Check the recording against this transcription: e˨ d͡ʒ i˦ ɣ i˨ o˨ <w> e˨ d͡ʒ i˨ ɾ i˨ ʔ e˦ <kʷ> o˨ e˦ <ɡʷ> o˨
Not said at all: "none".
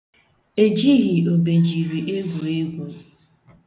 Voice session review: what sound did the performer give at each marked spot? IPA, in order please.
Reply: b, ɡʷ, ɡʷ

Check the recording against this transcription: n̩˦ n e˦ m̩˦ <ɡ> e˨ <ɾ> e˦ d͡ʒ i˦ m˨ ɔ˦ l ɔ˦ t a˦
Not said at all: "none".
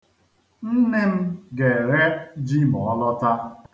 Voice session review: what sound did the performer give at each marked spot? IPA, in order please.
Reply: ɡ, ɾ

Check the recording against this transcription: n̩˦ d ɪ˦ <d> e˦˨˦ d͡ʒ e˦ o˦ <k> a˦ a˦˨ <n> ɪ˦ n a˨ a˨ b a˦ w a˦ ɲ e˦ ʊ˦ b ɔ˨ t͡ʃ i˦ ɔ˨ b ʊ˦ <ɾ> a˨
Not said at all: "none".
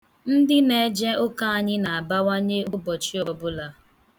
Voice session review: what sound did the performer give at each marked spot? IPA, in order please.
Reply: n, k, ɲ, l

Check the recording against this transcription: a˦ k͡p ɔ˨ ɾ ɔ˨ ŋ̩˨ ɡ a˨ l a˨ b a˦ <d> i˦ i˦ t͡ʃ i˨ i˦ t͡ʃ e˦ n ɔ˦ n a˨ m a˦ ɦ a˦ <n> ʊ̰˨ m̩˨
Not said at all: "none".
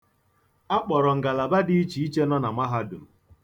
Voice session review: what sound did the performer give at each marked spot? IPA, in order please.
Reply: d, d

